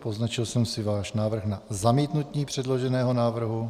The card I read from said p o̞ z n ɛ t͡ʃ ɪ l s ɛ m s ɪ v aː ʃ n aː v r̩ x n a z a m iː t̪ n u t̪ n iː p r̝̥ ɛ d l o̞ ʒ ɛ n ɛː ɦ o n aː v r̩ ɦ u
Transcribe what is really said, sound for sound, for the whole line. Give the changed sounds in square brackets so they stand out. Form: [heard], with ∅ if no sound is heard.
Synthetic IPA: p o̞ z n [a] t͡ʃ ɪ l s ɛ m s ɪ v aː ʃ n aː v r̩ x n a z a m iː t̪ n u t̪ [ɲ] iː p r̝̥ ɛ d l o̞ ʒ ɛ n ɛː ɦ o n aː v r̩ ɦ u